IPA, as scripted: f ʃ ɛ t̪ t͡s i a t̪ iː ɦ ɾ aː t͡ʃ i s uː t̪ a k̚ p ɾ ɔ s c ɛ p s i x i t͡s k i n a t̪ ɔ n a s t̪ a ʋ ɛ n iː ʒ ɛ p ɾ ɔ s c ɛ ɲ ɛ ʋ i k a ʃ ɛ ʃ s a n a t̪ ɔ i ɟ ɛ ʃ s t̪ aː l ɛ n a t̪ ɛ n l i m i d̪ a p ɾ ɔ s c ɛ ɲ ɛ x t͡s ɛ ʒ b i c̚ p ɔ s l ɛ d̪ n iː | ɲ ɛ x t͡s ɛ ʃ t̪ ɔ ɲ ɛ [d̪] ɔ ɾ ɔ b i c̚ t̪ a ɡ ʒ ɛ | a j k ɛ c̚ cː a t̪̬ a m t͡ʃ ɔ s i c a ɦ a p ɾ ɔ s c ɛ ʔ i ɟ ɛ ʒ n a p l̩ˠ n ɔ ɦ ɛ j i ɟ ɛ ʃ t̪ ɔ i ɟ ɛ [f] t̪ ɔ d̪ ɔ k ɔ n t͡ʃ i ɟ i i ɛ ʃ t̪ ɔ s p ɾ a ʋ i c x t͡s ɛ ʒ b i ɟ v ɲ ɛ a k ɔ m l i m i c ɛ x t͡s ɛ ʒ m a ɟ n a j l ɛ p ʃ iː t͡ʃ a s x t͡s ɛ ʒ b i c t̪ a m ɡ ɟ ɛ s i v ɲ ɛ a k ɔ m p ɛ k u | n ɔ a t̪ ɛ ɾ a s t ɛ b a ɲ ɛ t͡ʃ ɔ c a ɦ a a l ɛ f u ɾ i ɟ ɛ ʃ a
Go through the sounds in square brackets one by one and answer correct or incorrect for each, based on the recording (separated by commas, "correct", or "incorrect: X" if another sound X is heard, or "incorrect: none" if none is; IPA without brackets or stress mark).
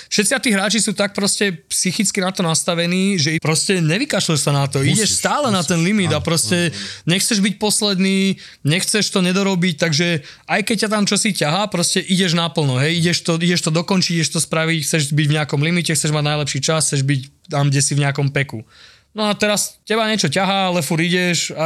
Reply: correct, incorrect: ʃ